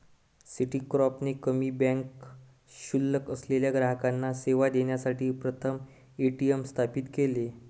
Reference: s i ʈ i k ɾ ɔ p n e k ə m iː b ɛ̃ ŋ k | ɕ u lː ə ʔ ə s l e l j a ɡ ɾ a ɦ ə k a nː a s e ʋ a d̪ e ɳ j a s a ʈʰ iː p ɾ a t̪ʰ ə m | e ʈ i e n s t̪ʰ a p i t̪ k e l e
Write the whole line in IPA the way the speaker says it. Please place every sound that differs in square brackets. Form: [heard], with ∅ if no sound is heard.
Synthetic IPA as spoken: s i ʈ i k ɾ ɔ p n e k ə m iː b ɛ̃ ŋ k | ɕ u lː ə [k] ə s l e l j a ɡ ɾ a ɦ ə k a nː a s e ʋ a d̪ e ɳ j a s a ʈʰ iː p ɾ [ə] t̪ʰ ə m | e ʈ i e [m] s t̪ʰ a p i t̪ k e l e

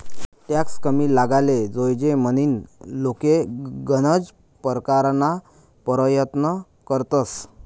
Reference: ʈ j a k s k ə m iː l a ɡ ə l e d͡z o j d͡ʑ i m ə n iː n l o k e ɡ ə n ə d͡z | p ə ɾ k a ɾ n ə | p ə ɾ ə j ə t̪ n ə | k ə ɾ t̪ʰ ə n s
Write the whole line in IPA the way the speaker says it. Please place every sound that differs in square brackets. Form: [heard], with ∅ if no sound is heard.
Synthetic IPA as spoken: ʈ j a k s k ə m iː l a ɡ [a] l e d͡z o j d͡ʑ [e] m ə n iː n l o k e ɡ ə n ə d͡z | p ə ɾ k a ɾ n [a] | p ə ɾ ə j ə t̪ n ə | k ə ɾ [t̪] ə [∅] s

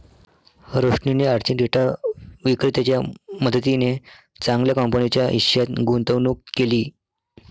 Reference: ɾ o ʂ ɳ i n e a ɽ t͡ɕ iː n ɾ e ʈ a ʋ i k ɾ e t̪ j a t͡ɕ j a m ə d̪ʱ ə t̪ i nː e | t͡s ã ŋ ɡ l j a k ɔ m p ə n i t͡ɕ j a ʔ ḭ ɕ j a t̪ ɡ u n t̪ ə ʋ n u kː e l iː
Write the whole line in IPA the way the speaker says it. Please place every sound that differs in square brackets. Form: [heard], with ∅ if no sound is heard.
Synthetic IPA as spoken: ɾ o ʂ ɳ i n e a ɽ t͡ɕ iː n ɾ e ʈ a ʋ i k ɾ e t̪ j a t͡ɕ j a m ə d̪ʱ ə t̪ i [n] e | t͡s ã ŋ ɡ l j a k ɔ m p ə n i t͡ɕ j a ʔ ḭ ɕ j a t̪ ɡ u n t̪ ə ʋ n u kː e l iː

